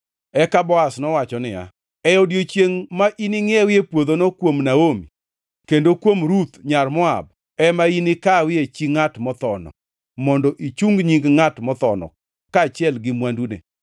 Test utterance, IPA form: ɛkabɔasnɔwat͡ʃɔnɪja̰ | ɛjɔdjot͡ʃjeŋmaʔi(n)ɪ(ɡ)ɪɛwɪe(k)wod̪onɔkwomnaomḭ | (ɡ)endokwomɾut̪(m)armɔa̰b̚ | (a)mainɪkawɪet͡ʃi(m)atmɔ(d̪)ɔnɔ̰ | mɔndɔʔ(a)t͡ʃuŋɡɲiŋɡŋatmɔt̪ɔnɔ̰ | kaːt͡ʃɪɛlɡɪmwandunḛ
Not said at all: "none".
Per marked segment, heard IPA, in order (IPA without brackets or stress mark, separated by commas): n, ŋ, p, k, ɲ, ɛ, ŋ, t̪, i